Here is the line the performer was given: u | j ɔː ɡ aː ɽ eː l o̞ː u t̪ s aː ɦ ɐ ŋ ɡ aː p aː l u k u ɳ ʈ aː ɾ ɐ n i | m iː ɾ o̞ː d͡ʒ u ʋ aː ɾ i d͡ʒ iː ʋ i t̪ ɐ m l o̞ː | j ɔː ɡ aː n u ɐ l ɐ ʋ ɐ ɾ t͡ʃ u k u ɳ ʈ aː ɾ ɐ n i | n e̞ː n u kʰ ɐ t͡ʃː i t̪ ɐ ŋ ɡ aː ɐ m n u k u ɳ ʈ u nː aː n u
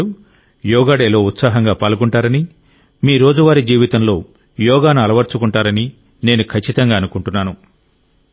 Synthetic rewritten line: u | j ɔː ɡ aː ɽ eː l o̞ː u t̪ s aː ɦ ɐ ŋ ɡ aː p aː l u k u ɳ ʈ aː ɾ ɐ n i | m iː ɾ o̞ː d͡ʒ u ʋ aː ɾ i d͡ʒ iː ʋ i t̪ ɐ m l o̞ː | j ɔː ɡ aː n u ɐ l ɐ ʋ ɐ ɾ t͡ʃ u k u ɳ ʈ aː ɾ ɐ n i | n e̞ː n u kʰ ɐ t͡ʃː i t̪ ɐ ŋ ɡ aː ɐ n u k u ɳ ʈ u nː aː n u